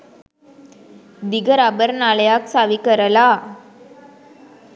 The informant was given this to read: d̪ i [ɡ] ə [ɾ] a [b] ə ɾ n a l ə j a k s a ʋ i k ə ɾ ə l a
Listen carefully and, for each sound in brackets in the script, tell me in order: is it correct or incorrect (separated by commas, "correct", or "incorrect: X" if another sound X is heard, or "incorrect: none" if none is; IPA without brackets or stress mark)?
correct, correct, correct